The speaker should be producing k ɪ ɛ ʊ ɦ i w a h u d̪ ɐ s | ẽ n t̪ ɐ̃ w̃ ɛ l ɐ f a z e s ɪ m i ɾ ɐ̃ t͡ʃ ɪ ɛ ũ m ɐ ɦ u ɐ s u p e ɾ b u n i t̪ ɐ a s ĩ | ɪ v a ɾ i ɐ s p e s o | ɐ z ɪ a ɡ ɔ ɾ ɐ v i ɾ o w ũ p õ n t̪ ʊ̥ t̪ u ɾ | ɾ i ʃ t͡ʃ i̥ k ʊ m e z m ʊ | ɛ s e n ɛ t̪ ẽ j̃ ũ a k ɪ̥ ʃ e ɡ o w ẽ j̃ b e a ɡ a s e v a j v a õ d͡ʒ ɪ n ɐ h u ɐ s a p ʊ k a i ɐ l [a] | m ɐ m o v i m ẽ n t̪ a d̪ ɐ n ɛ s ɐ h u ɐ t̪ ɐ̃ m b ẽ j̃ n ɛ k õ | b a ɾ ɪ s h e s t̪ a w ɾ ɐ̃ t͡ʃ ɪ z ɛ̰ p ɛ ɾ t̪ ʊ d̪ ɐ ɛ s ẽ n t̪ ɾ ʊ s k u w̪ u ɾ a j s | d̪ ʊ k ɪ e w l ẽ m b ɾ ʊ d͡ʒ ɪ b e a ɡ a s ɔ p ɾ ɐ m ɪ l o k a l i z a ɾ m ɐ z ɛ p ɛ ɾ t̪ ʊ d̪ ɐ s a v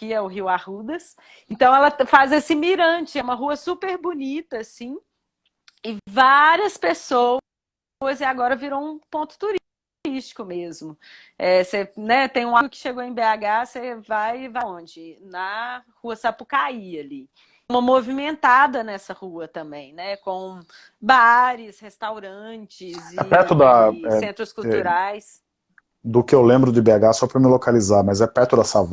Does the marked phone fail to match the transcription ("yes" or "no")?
yes